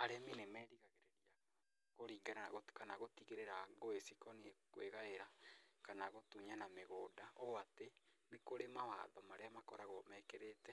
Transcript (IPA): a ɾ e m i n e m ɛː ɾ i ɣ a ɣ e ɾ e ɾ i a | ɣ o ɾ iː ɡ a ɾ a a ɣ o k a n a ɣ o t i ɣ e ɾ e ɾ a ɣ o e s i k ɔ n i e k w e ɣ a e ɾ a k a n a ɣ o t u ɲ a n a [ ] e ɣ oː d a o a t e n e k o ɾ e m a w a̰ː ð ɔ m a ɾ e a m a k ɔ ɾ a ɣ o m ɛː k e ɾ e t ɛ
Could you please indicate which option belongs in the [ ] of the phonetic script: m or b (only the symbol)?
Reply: m